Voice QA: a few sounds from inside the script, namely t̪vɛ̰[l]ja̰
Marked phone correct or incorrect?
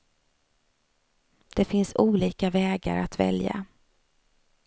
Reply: correct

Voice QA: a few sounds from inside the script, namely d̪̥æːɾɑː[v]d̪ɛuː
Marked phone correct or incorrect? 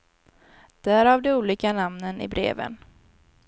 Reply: correct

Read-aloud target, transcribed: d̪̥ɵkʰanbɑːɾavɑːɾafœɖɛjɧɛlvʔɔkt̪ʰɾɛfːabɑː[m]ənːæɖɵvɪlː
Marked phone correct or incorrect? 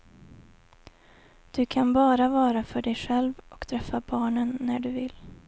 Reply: incorrect: ɳ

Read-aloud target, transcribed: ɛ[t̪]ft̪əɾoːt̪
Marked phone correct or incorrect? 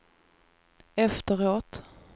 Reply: incorrect: none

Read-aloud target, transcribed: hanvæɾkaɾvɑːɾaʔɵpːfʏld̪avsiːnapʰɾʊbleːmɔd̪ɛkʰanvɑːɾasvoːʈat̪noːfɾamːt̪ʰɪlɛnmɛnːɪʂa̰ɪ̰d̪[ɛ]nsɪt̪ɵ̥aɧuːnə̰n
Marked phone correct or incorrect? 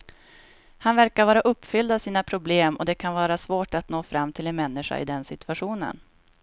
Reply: correct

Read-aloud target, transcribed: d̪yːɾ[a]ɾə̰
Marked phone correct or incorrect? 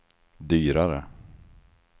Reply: correct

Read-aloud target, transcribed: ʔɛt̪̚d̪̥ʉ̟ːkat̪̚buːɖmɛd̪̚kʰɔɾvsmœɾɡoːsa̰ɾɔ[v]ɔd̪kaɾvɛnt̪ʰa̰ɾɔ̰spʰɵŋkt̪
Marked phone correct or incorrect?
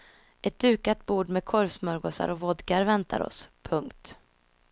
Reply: correct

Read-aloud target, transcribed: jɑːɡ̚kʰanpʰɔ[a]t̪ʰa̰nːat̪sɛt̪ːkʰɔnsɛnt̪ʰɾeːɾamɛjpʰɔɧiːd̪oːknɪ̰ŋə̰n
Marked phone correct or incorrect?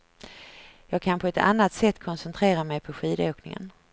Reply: incorrect: ɛ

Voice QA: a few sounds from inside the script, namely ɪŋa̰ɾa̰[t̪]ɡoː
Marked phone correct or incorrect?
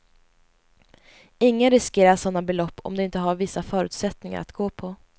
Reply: correct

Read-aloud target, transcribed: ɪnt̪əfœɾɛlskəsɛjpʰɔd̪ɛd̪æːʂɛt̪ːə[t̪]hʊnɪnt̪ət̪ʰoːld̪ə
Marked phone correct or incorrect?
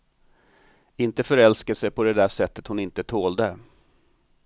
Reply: correct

